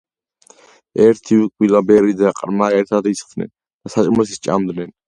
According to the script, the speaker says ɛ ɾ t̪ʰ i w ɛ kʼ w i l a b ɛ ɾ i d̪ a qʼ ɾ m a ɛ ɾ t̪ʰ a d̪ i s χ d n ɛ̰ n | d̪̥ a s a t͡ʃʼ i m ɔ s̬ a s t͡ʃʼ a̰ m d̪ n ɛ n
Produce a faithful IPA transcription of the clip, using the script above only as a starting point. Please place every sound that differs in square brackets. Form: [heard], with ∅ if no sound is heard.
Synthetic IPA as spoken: ɛ ɾ t̪ʰ i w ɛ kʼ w i l a b ɛ ɾ i d̪ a qʼ ɾ m a ɛ ɾ t̪ʰ a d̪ i s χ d n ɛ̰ n | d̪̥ a s a t͡ʃʼ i m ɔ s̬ [i] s t͡ʃʼ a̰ m d̪ n ɛ n

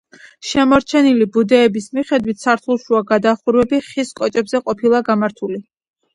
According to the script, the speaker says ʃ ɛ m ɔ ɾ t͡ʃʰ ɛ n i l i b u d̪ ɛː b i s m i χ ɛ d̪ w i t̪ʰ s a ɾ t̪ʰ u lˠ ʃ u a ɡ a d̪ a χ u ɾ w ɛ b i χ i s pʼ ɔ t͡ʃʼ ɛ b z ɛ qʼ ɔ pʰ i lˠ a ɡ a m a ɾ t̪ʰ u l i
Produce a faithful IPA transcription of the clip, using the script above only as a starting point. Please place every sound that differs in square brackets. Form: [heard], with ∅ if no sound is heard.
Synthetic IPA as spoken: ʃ ɛ m ɔ ɾ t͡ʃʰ ɛ n i l i b u d̪ ɛː b i s m i χ ɛ d̪ w i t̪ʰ s a ɾ t̪ʰ u lˠ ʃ u a ɡ a d̪ a χ u ɾ w ɛ b i χ i s [kʼ] ɔ t͡ʃʼ ɛ b z ɛ qʼ ɔ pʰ i lˠ a ɡ a m a ɾ t̪ʰ u l i

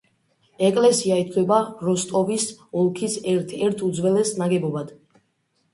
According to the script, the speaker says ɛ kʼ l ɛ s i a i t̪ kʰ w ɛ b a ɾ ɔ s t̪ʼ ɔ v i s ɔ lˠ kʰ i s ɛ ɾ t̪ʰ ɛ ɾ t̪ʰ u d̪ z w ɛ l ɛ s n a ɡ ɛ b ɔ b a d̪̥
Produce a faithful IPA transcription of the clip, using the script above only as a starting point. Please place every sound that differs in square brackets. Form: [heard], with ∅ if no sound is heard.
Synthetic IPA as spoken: ɛ kʼ l ɛ s i a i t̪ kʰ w ɛ b a ɾ ɔ s t̪ʼ ɔ v i s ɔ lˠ kʰ i s ɛ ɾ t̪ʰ ɛ ɾ t̪ʰ u d̪ z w ɛ l ɛ s n a ɡ ɛ b ɔ b a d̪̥

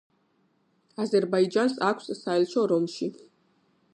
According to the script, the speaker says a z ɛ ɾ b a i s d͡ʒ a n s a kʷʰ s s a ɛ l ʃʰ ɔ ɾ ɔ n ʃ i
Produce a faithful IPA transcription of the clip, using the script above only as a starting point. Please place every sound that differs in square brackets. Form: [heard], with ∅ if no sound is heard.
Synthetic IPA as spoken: a z ɛ ɾ b a i [∅] d͡ʒ a n s a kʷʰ s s a ɛ l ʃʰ ɔ ɾ ɔ [m] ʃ i

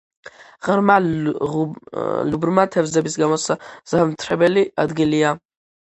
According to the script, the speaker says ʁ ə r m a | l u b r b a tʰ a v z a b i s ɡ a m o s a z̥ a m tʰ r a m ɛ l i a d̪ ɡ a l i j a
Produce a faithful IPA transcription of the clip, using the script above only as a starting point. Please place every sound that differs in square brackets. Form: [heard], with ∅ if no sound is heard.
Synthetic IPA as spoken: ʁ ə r m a | l u b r [m] a tʰ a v z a b i s ɡ a m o s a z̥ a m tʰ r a [b] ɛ l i a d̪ ɡ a l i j a

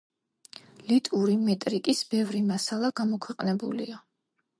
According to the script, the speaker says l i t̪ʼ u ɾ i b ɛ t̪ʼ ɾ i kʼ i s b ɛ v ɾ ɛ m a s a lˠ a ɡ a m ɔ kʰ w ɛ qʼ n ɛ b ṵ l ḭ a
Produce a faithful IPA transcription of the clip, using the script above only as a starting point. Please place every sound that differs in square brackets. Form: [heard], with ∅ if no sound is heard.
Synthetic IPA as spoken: l i t̪ʼ u ɾ i [m] ɛ t̪ʼ ɾ i kʼ i s b ɛ v ɾ [i] m a s a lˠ a ɡ a m ɔ kʰ w ɛ qʼ n ɛ b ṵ l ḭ a

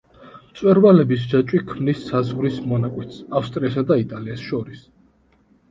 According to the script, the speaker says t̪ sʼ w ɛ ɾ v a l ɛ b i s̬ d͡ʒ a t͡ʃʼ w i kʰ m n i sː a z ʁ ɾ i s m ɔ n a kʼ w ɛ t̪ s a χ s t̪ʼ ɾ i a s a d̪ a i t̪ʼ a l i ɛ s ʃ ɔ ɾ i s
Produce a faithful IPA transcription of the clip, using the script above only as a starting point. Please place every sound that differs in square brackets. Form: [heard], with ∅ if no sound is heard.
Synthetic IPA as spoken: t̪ sʼ w ɛ ɾ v a l ɛ b i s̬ d͡ʒ a t͡ʃʼ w i kʰ m n i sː a z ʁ ɾ i s m ɔ n a kʼ w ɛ t̪ s a [f] s t̪ʼ ɾ i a s a d̪ a i t̪ʼ a l i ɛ s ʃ ɔ ɾ i s

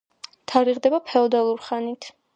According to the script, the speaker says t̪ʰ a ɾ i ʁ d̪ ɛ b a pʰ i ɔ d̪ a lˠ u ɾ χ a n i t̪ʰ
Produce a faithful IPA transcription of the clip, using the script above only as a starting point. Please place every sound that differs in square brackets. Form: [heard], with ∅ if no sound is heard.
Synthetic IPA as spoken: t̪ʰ a ɾ i ʁ d̪ ɛ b a pʰ [ɛ] ɔ d̪ a lˠ u ɾ χ a n i t̪ʰ

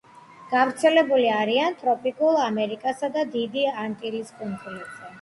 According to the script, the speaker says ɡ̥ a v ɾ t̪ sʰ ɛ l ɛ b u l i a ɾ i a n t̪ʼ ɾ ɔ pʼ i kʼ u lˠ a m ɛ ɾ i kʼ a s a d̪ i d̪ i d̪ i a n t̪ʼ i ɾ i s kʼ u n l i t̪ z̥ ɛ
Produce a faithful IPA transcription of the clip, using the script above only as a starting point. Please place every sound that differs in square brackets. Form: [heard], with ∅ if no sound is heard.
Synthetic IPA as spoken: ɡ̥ a v ɾ t̪ sʰ ɛ l ɛ b u l i a ɾ i a n t̪ʼ ɾ ɔ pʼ i kʼ u lˠ a m ɛ ɾ i kʼ a s a d̪ [a] d̪ i d̪ i a n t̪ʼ i ɾ i s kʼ u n l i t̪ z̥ ɛ

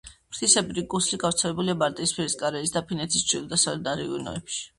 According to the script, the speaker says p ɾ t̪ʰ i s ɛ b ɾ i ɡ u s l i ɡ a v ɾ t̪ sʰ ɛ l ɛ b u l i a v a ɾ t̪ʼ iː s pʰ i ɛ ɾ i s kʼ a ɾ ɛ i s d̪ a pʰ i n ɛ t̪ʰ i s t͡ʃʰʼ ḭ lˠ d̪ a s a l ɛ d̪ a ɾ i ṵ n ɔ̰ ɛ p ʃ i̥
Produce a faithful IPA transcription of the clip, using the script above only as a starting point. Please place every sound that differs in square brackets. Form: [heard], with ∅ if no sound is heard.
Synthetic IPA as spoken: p ɾ t̪ʰ i s ɛ b ɾ i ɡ u s l i ɡ a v ɾ t̪ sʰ ɛ l ɛ b u l i a [b] a ɾ t̪ʼ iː s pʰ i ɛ ɾ i s kʼ a ɾ ɛ i s d̪ a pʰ i n ɛ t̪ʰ i s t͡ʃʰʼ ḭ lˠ d̪ a s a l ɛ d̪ a ɾ i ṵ n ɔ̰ ɛ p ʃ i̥

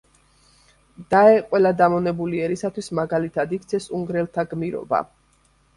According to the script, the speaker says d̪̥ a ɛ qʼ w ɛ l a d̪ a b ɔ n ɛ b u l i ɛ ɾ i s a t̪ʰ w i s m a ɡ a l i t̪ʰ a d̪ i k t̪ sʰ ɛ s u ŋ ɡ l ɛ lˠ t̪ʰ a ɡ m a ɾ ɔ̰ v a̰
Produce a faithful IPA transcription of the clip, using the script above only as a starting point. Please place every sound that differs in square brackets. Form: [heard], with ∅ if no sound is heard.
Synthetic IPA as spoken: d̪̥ a ɛ qʼ w ɛ l a d̪ a [m] ɔ n ɛ b u l i ɛ ɾ i s a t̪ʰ w i s m a ɡ a l i t̪ʰ a d̪ i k t̪ sʰ ɛ s u ŋ ɡ [ɾ] ɛ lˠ t̪ʰ a ɡ m [i] ɾ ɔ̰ [b] a̰

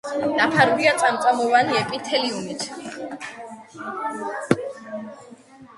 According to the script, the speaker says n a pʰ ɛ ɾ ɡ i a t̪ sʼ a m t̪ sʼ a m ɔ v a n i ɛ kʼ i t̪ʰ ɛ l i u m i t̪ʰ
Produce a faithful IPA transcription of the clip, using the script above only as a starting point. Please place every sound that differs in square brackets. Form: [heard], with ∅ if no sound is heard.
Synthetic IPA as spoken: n a pʰ [a] ɾ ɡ i a t̪ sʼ a m t̪ sʼ a m ɔ v a n i ɛ [pʼ] i t̪ʰ ɛ l i u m i t̪ʰ

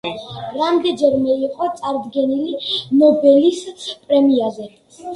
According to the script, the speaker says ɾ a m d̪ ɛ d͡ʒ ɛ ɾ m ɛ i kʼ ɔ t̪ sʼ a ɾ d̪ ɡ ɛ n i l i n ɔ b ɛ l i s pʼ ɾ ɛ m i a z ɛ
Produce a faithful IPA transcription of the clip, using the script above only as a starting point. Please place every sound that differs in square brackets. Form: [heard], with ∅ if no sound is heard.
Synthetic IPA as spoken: ɾ a m d̪ ɛ d͡ʒ ɛ ɾ m ɛ i [qʼ] ɔ t̪ sʼ a ɾ d̪ ɡ ɛ n i l i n ɔ b ɛ l i s pʼ ɾ ɛ m i a z ɛ

